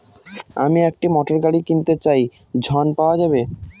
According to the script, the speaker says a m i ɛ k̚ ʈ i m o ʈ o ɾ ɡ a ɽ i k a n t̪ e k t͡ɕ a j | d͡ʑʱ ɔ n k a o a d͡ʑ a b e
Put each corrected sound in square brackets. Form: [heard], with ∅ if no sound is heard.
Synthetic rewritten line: a m i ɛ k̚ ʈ i m [ɔ] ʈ o ɾ ɡ a ɽ i k [i] n t̪ e [∅] t͡ɕ a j | d͡ʑʱ ɔ n [p] a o a d͡ʑ a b e

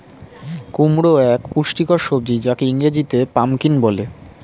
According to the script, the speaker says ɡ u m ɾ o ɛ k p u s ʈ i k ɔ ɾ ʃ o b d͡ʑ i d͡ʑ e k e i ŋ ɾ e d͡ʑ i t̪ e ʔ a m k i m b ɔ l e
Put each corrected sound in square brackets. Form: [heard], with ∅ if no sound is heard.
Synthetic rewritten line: [k] u m ɾ o ɛ k p u [ʃ] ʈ i k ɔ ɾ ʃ o b d͡ʑ i d͡ʑ [a] k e i ŋ ɾ e d͡ʑ i t̪ e [p] a m k i [n] b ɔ l e

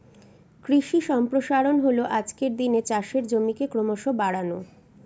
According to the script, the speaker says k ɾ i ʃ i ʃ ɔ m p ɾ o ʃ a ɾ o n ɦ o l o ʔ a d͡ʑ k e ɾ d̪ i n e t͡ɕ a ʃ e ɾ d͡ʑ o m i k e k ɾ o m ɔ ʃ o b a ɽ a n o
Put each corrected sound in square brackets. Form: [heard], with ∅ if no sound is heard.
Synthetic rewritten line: k ɾ i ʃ i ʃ ɔ m p ɾ o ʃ a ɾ o n ɦ o l o ʔ a d͡ʑ k e ɾ d̪ i n e t͡ɕ a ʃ e ɾ d͡ʑ o m i k e k ɾ o m [o] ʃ o b a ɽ a n o

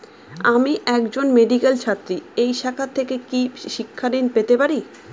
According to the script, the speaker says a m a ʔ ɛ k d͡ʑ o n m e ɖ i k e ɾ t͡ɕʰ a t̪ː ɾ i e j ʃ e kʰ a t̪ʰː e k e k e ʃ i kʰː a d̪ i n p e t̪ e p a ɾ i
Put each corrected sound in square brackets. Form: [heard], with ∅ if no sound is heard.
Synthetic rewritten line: a m [i] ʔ ɛ k d͡ʑ o n m e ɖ i k e [l] t͡ɕʰ a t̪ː ɾ i e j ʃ [a] kʰ a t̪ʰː e k e k [i] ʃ i kʰː a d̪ i n p e t̪ e p a ɾ i

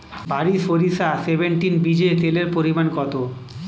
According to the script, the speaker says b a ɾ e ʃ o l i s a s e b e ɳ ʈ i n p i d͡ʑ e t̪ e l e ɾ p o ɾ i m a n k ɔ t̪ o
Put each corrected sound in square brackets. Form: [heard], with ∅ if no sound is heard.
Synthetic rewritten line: b a ɾ [i] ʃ o [ɾ] i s a s e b e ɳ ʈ i n [b] i d͡ʑ e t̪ e l e ɾ p o ɾ i m a n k ɔ t̪ o

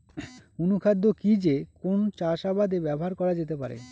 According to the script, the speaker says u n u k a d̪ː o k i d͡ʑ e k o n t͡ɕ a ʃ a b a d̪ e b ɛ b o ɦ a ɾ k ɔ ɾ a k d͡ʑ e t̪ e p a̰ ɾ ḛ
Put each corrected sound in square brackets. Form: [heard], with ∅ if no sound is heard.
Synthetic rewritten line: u n u [kʰ] a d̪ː o k i d͡ʑ e k o n t͡ɕ a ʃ a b a d̪ e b ɛ b o ɦ a ɾ k ɔ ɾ a [∅] d͡ʑ e t̪ e p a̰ ɾ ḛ

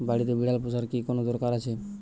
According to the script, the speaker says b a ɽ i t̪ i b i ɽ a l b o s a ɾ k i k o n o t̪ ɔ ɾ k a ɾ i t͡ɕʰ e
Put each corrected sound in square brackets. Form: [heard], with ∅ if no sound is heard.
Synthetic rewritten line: b a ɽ i t̪ [e] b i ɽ a l [p] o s a ɾ k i k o n o [d̪] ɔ ɾ k a ɾ [a] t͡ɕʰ e

